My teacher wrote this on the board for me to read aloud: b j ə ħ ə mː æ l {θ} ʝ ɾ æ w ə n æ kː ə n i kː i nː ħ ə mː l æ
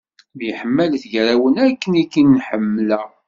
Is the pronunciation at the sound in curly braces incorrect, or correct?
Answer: correct